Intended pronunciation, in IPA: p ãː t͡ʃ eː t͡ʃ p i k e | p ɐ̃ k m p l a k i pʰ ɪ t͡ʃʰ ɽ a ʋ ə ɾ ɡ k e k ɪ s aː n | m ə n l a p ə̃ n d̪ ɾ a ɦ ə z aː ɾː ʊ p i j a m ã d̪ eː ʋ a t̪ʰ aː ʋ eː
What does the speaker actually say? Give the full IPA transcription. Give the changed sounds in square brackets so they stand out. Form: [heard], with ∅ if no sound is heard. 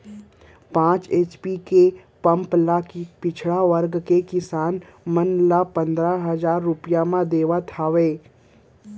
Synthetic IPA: p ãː t͡ʃ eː t͡ʃ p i k e | p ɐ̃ [∅] m p l a k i [p] ɪ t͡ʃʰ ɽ a ʋ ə ɾ ɡ k e k ɪ s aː n | m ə n l a p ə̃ n d̪ ɾ a ɦ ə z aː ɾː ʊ p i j a m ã d̪ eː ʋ a t̪ʰ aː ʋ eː